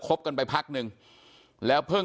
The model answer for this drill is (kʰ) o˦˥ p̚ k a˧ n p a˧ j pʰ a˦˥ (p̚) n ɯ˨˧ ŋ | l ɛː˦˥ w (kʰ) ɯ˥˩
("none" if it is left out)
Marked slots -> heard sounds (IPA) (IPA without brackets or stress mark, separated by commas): kʰ, k̚, pʰ